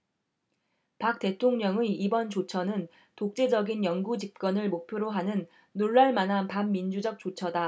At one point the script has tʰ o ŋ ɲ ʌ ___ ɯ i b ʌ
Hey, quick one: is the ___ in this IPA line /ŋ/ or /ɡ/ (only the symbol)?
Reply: ŋ